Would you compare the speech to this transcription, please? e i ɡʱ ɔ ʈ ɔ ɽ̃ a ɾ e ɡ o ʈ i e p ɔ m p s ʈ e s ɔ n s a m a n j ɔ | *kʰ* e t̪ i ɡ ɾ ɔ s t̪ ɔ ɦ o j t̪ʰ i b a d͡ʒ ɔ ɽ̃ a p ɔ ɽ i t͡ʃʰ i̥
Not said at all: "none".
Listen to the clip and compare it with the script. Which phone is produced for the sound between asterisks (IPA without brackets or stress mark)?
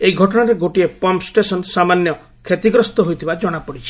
kʰ